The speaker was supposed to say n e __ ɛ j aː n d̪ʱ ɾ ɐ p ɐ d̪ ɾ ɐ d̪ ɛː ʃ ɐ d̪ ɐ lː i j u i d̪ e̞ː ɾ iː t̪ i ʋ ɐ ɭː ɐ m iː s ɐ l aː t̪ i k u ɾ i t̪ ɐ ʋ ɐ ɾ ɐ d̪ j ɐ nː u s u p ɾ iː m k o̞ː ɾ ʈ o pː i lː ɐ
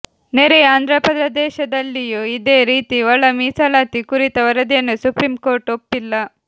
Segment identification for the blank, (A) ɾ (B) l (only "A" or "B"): A